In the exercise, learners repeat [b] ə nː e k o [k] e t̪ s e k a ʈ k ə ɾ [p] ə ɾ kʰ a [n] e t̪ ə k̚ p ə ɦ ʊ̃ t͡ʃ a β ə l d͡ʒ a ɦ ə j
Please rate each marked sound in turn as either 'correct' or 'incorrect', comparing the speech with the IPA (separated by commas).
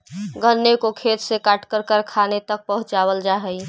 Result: incorrect, incorrect, incorrect, correct